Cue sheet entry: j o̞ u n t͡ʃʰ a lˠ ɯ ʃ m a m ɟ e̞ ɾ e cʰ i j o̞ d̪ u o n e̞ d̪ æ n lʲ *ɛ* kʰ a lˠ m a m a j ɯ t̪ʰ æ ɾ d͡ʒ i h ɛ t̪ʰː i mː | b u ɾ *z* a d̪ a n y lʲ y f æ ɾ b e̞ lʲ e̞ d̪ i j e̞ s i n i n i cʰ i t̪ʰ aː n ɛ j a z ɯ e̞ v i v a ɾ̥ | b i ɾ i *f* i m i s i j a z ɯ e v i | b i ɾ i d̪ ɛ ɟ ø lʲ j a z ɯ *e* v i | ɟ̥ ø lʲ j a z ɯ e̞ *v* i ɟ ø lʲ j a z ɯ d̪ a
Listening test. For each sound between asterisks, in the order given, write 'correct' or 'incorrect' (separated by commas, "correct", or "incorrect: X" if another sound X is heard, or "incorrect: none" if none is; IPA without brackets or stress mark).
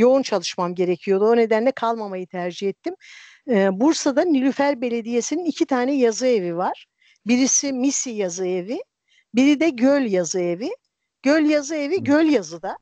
correct, incorrect: s, incorrect: s, correct, correct